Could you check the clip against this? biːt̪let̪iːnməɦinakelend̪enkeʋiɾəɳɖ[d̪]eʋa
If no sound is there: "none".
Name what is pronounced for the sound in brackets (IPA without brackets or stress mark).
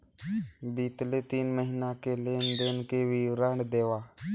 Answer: d̪